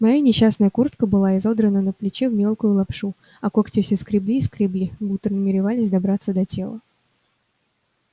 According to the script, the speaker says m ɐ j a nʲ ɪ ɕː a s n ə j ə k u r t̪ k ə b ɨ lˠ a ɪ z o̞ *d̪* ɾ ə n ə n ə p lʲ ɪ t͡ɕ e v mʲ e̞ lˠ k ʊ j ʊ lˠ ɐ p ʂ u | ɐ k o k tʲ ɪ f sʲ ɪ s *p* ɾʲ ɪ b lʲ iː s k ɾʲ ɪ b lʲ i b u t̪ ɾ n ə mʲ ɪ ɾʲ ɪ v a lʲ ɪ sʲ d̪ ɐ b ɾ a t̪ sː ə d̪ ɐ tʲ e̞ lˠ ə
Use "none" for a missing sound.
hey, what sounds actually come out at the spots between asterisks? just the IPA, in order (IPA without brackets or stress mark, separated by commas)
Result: d̪, k